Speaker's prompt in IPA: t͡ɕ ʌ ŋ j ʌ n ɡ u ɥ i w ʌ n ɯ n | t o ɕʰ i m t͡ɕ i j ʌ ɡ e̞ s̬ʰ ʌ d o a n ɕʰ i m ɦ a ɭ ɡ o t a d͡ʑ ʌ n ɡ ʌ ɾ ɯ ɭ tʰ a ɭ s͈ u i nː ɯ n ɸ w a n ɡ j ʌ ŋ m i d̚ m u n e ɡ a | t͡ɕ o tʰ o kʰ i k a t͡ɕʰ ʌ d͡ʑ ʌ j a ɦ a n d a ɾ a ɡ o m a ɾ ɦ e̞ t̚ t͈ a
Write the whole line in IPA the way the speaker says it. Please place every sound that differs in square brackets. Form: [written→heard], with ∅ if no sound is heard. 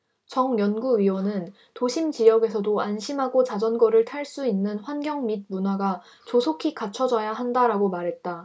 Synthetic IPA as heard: t͡ɕ ʌ ŋ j ʌ n ɡ u ɥ i w ʌ n ɯ n | t o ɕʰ i m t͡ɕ i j ʌ ɡ e̞ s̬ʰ ʌ d o a n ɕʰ i m ɦ a [ɭ→∅] ɡ o [t→t͡ɕ] a d͡ʑ ʌ n ɡ ʌ ɾ ɯ ɭ tʰ a ɭ s͈ u i nː ɯ n ɸ w a n ɡ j ʌ ŋ m i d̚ m u n [e→a] ɡ a | t͡ɕ o [tʰ→sʰ] o kʰ i k a t͡ɕʰ ʌ d͡ʑ ʌ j a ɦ a n d a ɾ a ɡ o m a ɾ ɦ e̞ t̚ t͈ a

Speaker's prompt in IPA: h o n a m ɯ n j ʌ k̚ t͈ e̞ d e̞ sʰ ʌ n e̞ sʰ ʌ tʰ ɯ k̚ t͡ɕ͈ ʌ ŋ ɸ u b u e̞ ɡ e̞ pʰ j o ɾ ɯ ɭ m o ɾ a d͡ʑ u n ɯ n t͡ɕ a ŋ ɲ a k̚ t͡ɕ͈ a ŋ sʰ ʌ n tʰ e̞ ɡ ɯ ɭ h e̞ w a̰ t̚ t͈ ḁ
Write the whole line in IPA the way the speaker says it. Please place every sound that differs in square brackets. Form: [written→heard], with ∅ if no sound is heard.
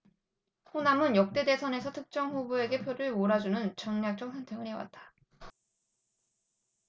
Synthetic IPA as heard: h o n a m ɯ n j ʌ k̚ t͈ e̞ d e̞ sʰ ʌ n e̞ sʰ ʌ tʰ ɯ k̚ t͡ɕ͈ ʌ ŋ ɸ u b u e̞ ɡ e̞ pʰ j o ɾ ɯ ɭ m o ɾ a d͡ʑ u n ɯ n t͡ɕ [a→ʌ] ŋ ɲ a k̚ t͡ɕ͈ [a→ʌ] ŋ sʰ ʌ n tʰ e̞ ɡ ɯ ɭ h e̞ w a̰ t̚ t͈ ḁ

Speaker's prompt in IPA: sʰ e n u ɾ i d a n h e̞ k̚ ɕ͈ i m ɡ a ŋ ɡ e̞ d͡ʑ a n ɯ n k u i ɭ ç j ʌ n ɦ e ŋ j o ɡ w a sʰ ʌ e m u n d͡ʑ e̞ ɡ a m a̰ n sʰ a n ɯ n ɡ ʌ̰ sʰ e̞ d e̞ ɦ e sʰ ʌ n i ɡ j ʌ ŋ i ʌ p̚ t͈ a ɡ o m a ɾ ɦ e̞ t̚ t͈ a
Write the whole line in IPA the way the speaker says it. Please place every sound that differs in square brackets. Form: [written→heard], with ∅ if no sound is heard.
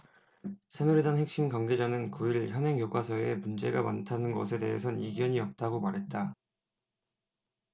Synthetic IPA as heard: sʰ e n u ɾ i d a n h e̞ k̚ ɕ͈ i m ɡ a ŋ ɡ e̞ d͡ʑ a n ɯ n k u i ɭ ç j ʌ n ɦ e ŋ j o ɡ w a sʰ ʌ e m u n d͡ʑ e̞ ɡ a m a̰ n [sʰ→tʰ] a n ɯ n ɡ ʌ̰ sʰ e̞ d e̞ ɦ e sʰ ʌ n i ɡ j ʌ [ŋ→ɲ] i ʌ p̚ t͈ a ɡ o m a ɾ ɦ e̞ t̚ t͈ a

